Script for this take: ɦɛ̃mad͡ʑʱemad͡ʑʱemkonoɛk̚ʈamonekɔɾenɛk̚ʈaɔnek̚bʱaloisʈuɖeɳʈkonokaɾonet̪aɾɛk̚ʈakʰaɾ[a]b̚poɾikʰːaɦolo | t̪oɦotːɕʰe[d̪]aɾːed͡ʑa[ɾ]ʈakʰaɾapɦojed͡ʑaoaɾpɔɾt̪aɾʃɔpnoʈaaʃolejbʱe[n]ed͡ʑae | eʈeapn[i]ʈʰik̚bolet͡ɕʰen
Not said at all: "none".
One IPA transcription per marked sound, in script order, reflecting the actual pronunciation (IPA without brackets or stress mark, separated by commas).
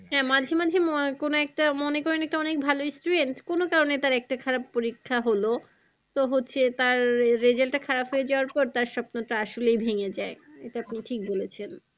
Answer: a, t̪, l, ŋ, i